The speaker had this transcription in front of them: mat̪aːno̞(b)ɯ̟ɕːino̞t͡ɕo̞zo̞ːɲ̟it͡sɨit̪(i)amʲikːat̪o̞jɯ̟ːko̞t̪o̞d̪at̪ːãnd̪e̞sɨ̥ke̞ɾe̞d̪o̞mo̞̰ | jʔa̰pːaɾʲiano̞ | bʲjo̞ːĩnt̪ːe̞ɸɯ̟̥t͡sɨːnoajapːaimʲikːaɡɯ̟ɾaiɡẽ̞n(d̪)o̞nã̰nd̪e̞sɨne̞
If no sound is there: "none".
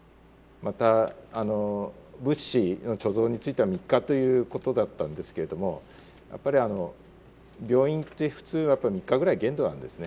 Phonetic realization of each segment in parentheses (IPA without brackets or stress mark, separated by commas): b, e, d̪